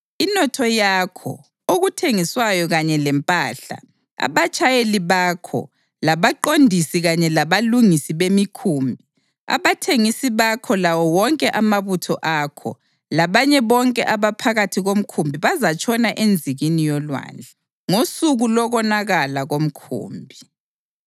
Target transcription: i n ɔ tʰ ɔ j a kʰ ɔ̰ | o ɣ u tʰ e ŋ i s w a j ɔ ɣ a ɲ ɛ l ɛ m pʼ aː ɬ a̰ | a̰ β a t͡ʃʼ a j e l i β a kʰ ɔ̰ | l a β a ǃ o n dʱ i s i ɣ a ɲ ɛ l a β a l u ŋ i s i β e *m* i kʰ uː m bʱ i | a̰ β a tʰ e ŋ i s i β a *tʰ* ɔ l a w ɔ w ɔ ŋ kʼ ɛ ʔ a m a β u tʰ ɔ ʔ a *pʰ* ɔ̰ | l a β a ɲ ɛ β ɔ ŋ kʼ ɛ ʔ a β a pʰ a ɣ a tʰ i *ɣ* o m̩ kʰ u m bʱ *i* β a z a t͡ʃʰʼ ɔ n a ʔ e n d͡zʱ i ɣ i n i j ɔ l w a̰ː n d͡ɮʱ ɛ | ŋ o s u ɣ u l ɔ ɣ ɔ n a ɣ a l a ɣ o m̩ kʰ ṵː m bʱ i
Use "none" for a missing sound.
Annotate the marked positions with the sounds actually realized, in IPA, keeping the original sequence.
m, kʰ, kʰ, ɣ, i

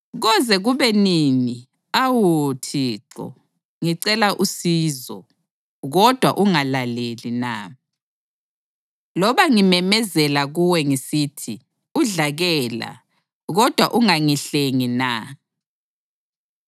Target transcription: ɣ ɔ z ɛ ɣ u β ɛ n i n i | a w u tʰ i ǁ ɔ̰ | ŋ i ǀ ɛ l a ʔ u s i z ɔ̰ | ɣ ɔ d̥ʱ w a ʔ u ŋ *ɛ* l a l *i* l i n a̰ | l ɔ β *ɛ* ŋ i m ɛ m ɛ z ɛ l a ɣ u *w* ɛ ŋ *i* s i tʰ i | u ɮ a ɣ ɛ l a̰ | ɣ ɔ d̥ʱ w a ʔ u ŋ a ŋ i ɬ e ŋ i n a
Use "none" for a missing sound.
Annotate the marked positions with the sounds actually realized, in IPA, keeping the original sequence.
a, e, a, w, i

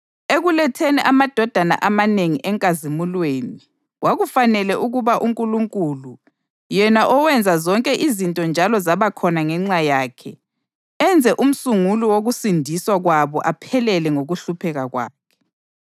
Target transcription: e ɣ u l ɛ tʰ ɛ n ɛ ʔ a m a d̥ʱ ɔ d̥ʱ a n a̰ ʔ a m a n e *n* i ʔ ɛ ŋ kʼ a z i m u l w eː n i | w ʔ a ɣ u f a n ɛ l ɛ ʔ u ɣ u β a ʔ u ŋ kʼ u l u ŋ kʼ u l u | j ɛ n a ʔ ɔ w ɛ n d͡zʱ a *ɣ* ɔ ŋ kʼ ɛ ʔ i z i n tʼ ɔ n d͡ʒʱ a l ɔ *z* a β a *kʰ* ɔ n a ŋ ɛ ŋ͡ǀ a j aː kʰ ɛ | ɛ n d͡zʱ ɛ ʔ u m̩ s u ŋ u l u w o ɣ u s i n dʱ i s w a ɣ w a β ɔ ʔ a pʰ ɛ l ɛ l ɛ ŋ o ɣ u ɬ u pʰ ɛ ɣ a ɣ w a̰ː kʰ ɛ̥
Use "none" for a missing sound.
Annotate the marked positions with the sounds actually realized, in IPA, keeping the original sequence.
ŋ, z, z, kʰ

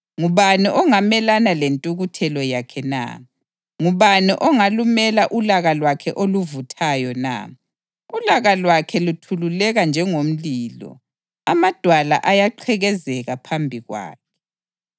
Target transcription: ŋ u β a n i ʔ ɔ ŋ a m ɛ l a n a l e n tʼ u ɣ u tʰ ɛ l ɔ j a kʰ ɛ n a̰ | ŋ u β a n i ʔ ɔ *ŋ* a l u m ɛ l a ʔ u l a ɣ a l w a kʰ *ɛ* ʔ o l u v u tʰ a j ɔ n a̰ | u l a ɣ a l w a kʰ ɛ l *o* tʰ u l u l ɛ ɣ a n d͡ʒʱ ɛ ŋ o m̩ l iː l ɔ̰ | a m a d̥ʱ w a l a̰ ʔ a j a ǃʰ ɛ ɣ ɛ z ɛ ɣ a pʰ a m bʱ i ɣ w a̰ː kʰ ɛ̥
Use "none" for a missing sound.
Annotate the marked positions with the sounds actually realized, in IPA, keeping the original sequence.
ŋ, ɛ, u

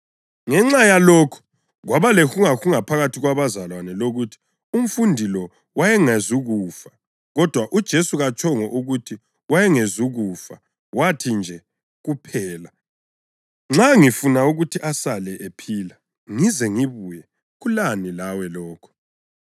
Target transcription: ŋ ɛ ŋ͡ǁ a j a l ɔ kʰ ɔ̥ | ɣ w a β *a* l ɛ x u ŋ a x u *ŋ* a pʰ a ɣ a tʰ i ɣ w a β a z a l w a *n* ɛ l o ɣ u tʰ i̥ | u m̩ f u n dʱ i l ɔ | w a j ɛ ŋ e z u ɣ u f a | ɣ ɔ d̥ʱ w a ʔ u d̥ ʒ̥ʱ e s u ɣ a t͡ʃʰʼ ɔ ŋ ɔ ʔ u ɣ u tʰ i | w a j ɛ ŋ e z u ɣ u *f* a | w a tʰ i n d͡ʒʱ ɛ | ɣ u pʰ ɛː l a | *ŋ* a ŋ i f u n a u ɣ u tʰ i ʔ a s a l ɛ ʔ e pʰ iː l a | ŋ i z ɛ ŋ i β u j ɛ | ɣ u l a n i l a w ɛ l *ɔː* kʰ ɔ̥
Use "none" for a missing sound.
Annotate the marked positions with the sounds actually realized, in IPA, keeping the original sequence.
a, ŋ, n, f, ŋ͡ǁ, ɔː

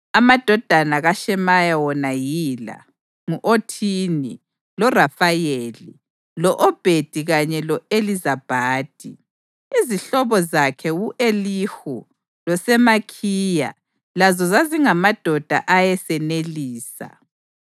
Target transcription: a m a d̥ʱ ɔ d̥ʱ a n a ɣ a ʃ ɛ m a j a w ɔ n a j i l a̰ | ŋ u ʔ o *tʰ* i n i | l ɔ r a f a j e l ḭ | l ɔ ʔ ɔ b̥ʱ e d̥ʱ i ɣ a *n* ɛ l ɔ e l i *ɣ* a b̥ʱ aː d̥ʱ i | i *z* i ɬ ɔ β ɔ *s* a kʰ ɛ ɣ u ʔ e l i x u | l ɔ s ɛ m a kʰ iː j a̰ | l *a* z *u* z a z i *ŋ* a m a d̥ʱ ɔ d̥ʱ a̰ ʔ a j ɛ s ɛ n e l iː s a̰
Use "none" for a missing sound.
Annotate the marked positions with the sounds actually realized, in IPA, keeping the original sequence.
tʰ, ɲ, z, z, z, a, ɔ, ŋ

